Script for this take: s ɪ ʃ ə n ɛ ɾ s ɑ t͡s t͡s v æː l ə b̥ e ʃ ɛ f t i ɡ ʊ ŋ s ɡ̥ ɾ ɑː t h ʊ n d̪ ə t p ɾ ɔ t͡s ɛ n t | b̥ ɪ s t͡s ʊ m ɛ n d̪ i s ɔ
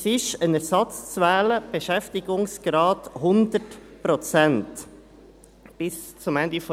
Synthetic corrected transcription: s ɪ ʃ ə n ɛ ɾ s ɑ t͡s t͡s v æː l ə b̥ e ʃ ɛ f t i ɡ ʊ ŋ s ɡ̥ ɾ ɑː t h ʊ n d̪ ə t p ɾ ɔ t͡s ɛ n t | b̥ ɪ s t͡s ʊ m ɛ n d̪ i f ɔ

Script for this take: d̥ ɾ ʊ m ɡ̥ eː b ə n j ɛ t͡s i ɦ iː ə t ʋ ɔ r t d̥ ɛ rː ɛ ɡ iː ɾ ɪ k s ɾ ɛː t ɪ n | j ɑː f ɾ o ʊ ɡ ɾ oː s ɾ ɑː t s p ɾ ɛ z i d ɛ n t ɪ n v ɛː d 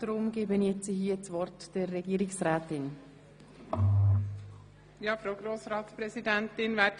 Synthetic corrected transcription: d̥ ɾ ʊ m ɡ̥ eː b ə n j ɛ t͡s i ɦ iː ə t͡s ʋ ɔ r t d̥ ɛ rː ɛ ɡ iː ɾ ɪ k s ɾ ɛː t ɪ n | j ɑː f ɾ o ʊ ɡ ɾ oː s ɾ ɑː t s p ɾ ɛ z i d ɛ n t ɪ n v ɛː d

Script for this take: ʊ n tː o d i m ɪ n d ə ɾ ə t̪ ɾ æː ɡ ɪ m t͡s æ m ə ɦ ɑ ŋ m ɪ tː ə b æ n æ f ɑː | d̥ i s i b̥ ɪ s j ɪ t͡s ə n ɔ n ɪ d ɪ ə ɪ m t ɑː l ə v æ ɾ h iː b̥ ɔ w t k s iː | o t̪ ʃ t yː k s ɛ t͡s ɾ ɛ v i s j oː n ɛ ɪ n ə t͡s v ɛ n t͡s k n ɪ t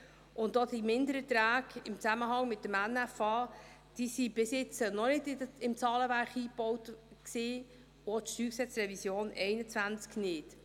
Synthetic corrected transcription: ʊ n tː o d i m ɪ n d ə ɾ ə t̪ ɾ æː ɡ ɪ m t͡s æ m ə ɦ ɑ ŋ m ɪ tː ə m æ n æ f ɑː | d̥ i s i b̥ ɪ s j ɪ t͡s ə n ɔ n ɪ d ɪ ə ɪ m t͡s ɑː l ə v æ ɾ χ iː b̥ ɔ w t k s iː | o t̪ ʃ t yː k s ɛ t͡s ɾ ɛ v i s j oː n ɛ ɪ n ə t͡s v æ n t͡s k n ɪ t

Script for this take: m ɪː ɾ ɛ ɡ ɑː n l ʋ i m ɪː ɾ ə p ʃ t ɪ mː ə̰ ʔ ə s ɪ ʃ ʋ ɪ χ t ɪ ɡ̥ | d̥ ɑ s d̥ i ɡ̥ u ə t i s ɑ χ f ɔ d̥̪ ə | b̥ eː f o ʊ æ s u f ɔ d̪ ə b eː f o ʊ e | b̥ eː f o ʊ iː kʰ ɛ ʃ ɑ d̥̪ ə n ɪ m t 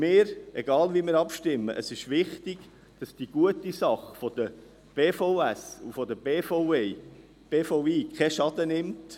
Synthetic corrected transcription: m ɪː ɾ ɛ ɡ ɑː l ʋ i m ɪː ɾ ɑ p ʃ t ɪ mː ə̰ ʔ ə s ɪ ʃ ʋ ɪ χ t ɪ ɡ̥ | d̥ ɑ s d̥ i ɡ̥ u ə t i s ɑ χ f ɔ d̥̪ ə | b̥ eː f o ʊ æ s u f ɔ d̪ ə b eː f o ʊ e | b̥ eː f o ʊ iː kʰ ɛ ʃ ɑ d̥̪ ə n ɪ m t

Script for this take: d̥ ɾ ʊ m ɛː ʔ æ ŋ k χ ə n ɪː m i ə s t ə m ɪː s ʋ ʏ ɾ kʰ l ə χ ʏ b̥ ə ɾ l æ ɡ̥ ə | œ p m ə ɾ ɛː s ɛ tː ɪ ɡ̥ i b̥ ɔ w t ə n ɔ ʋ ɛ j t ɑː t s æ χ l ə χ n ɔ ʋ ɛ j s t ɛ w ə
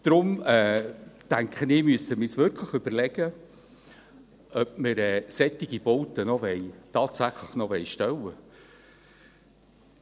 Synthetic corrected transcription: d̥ ɾ ʊ m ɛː t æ ŋ k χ ə n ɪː m y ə s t ə m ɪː s ʋ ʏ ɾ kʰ l ə χ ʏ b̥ ə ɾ l ɛ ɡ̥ ə | œ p m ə ɾ ɛː s ɛ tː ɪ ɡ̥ i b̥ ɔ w t ə n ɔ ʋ ɛ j t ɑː t s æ χ l ə χ n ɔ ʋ ɛ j ʃ t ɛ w ə

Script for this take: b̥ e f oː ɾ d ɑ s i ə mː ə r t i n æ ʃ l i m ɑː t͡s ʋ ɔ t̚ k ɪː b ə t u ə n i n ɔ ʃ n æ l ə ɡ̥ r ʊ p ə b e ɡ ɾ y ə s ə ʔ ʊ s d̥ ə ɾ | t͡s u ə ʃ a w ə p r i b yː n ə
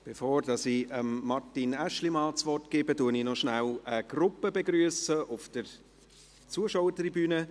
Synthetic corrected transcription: b̥ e f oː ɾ d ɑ s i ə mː ɑ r t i n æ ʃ l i m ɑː t͡s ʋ ɔ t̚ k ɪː b ə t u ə n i n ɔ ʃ n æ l ə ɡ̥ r ʊ p ə b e ɡ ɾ y ə s ə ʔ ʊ f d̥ ə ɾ | t͡s u ə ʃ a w ə t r i b yː n ə

